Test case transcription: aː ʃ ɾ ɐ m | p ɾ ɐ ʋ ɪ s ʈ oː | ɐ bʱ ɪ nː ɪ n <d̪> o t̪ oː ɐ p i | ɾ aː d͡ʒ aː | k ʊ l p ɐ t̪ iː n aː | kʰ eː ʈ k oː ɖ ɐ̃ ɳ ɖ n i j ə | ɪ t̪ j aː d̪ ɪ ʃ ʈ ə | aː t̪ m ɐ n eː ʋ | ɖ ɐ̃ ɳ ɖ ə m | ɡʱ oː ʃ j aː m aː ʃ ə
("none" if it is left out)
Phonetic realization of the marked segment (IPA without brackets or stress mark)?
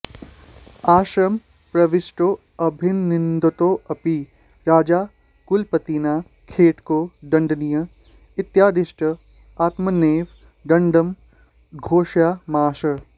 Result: d̪